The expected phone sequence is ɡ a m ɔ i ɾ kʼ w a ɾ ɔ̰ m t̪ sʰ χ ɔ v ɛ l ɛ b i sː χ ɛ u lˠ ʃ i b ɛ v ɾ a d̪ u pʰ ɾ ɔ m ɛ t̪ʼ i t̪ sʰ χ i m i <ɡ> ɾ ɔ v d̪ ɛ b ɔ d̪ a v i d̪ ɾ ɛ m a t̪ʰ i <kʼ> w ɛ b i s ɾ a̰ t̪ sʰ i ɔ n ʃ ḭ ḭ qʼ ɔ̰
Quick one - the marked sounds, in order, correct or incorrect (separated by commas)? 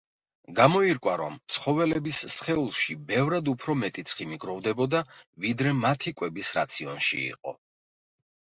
correct, correct